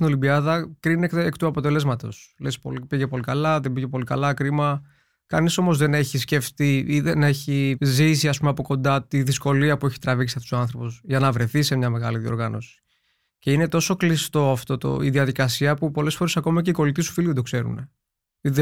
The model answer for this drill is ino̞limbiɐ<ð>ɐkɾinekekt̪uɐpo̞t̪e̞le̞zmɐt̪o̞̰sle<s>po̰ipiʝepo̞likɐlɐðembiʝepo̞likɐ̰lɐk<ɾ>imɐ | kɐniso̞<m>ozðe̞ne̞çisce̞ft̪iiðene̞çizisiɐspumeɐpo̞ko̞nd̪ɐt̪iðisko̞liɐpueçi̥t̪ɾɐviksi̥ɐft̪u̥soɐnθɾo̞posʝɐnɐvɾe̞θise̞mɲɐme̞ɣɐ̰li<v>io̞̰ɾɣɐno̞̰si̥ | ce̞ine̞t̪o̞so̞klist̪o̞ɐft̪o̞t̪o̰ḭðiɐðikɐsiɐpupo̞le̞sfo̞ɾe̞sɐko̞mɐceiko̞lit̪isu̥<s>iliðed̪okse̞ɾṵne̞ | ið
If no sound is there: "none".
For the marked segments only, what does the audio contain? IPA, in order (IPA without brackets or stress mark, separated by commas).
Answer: ð, s, ɾ, m, ð, f